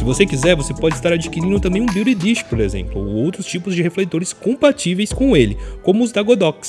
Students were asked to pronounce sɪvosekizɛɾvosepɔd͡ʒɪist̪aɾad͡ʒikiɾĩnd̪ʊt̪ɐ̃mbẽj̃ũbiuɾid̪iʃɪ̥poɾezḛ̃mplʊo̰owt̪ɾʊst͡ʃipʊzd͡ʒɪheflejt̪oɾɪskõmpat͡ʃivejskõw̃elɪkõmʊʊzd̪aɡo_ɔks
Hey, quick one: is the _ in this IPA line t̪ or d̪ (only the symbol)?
d̪